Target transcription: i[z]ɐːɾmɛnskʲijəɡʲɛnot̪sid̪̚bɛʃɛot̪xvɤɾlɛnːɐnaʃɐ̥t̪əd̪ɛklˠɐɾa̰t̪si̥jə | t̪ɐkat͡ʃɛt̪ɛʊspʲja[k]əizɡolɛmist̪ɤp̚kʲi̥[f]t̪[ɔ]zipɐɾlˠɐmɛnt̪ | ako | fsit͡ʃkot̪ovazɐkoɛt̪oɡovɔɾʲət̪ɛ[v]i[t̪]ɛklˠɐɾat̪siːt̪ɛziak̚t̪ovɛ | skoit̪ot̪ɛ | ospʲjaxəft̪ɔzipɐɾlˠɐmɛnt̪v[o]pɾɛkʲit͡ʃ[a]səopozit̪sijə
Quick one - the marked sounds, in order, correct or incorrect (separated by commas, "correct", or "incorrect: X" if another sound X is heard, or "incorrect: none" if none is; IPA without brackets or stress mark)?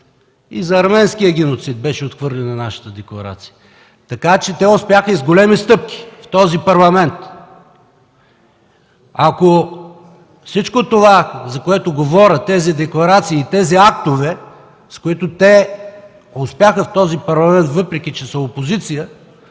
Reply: correct, incorrect: x, correct, correct, incorrect: z, incorrect: d̪, incorrect: ɤ, incorrect: ɛ